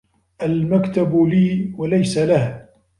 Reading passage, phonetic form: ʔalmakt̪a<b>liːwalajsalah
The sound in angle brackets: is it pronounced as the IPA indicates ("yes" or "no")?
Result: yes